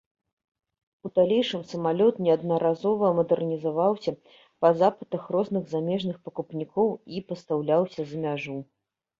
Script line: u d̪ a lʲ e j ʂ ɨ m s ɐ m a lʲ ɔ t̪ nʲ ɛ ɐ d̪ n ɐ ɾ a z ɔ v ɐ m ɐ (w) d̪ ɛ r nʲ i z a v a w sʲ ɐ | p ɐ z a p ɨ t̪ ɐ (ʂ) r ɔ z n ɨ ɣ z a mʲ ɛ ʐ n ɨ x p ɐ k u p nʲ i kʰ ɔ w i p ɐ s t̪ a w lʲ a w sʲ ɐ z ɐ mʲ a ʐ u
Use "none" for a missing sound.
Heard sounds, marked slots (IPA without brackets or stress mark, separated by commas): none, x